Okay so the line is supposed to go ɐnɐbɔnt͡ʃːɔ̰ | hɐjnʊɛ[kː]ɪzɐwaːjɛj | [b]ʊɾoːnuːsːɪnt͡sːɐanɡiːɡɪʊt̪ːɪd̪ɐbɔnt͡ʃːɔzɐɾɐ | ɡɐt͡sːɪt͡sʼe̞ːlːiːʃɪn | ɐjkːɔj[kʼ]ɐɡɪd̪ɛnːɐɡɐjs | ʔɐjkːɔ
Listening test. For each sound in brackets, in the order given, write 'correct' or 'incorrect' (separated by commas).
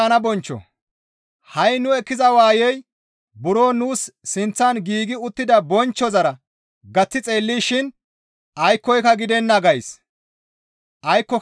correct, correct, incorrect